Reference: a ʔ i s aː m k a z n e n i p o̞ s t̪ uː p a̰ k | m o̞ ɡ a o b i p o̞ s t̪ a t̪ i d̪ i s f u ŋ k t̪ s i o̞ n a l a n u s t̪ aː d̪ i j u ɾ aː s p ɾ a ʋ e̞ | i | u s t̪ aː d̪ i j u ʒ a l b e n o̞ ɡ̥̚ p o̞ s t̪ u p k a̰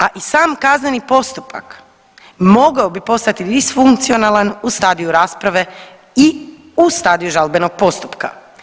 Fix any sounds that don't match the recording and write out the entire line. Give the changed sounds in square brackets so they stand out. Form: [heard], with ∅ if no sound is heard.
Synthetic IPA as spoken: a ʔ i s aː m k a z n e n i p o̞ s t̪ [u] p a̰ k | m o̞ ɡ a o b i p o̞ s t̪ a t̪ i d̪ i s f u ŋ k t̪ s i o̞ n a l a n u s t̪ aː d̪ i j u ɾ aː s p ɾ a ʋ e̞ | i | u s t̪ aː d̪ i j u ʒ a l b e n o̞ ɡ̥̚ p o̞ s t̪ u p k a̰